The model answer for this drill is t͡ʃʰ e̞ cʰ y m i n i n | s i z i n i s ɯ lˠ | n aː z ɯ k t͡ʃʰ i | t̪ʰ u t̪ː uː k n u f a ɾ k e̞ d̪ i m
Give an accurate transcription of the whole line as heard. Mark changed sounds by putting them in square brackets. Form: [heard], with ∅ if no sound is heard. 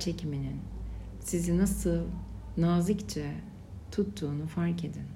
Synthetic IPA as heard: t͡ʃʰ e̞ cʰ [i] m i n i n | s i z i n [a] s ɯ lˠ | n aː z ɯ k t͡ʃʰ [ɛ] | t̪ʰ u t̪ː uː [∅] n u f a ɾ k e̞ d̪ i [n]